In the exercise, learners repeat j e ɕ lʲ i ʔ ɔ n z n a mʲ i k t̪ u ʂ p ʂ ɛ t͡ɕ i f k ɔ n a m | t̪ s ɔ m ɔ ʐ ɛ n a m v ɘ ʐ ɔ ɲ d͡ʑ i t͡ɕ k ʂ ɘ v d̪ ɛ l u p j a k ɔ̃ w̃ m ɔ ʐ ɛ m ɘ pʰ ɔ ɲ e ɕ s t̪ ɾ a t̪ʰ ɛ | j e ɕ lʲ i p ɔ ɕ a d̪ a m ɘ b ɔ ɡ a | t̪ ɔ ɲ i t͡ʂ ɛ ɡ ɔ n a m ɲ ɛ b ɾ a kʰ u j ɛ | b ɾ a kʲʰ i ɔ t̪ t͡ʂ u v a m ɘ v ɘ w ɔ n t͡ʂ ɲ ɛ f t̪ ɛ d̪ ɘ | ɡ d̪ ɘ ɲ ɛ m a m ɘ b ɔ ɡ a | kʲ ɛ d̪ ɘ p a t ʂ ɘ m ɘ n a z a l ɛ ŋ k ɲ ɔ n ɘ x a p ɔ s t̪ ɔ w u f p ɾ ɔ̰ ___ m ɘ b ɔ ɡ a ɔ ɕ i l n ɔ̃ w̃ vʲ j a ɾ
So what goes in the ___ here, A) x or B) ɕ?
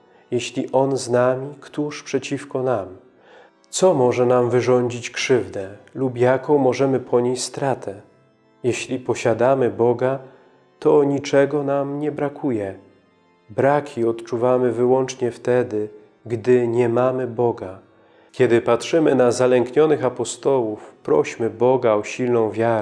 B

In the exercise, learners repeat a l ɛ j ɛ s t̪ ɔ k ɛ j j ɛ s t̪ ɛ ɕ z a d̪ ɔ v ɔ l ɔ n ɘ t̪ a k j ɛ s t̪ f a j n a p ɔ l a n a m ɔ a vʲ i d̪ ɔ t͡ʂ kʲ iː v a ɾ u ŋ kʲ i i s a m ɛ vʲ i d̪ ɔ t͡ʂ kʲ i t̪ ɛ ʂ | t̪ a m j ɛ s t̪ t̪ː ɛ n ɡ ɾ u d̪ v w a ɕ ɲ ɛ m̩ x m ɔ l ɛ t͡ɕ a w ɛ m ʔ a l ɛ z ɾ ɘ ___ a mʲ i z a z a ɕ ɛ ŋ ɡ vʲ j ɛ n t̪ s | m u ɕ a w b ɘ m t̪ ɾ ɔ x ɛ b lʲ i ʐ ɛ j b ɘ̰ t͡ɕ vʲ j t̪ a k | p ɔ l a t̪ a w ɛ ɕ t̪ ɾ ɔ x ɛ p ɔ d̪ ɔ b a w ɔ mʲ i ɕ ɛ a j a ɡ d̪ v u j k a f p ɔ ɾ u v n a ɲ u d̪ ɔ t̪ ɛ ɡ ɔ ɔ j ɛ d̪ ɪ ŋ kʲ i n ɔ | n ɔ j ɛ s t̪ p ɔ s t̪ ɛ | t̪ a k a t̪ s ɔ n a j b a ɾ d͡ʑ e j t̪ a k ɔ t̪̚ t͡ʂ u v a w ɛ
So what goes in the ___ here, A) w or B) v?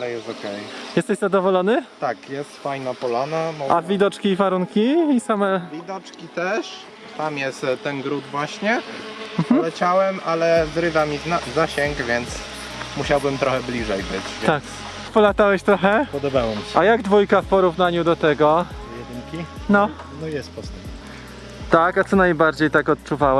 B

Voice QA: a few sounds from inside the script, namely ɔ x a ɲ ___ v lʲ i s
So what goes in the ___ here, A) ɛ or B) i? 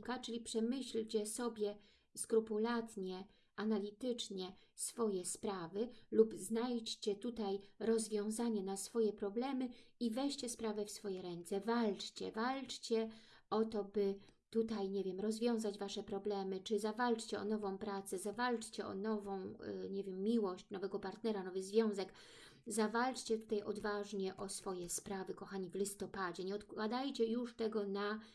B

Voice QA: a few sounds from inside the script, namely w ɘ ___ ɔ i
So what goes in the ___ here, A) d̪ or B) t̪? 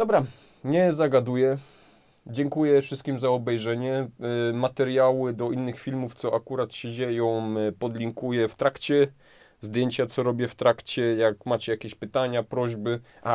A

